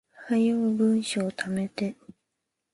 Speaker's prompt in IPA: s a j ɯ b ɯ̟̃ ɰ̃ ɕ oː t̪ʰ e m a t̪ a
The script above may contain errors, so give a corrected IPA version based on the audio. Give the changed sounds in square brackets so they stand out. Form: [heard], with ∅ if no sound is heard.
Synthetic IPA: [h] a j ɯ b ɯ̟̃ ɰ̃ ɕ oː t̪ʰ [a] m [e] t̪ [e]